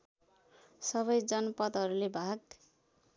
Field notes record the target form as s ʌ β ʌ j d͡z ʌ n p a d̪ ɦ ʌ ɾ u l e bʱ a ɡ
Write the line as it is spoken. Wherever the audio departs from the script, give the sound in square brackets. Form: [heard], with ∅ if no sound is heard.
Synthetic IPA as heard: s ʌ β ʌ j d͡z ʌ n p [ʌ] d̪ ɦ ʌ ɾ u l e bʱ a ɡ